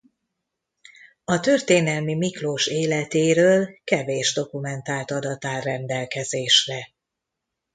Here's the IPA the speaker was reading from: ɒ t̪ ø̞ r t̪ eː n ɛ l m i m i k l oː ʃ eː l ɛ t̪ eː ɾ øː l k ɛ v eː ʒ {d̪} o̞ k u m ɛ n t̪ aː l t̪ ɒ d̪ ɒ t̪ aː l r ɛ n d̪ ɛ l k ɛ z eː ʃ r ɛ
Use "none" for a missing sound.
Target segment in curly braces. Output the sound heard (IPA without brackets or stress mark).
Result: d̪